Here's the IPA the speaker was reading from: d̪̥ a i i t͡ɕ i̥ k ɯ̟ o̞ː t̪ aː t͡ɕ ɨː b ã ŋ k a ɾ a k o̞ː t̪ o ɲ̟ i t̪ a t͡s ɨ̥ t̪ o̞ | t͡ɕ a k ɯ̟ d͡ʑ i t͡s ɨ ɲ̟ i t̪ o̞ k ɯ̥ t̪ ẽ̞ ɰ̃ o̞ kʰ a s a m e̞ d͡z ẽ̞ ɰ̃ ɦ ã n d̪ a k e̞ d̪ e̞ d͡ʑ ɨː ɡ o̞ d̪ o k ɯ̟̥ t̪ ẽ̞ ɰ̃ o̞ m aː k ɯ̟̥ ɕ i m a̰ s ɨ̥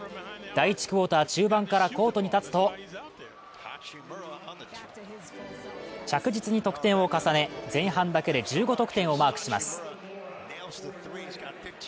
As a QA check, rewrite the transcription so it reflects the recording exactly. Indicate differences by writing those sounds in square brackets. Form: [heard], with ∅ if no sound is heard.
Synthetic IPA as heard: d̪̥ a i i t͡ɕ i̥ k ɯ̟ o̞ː t̪ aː t͡ɕ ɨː b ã ŋ k a ɾ a k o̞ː t̪ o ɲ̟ i t̪ a t͡s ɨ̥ t̪ o̞ | t͡ɕ a k ɯ̟ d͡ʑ i t͡s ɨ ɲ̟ i t̪ o̞ k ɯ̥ t̪ ẽ̞ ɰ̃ o̞ [k] a s a [n] e̞ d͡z ẽ̞ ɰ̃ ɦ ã n d̪ a k e̞ d̪ e̞ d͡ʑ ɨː ɡ o̞ [t̪] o k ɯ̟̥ t̪ ẽ̞ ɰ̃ o̞ m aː k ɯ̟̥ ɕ i m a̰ s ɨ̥